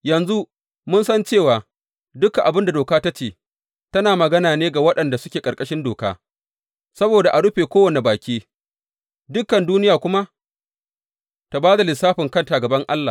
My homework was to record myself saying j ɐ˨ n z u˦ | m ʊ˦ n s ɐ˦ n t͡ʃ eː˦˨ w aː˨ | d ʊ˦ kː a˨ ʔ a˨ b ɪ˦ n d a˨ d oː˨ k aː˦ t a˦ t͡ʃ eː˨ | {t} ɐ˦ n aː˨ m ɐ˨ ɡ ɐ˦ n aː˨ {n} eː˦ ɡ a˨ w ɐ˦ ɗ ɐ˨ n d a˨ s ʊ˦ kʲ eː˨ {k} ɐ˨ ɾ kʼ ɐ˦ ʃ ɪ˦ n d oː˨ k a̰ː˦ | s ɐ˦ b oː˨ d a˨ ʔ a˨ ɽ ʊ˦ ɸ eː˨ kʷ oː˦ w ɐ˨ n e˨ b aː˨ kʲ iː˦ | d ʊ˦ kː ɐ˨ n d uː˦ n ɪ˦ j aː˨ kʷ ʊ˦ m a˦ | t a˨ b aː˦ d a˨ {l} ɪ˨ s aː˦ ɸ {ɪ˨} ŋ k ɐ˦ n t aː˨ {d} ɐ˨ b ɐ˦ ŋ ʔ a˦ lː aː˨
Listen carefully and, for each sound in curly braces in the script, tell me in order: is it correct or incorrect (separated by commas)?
correct, correct, incorrect, correct, correct, incorrect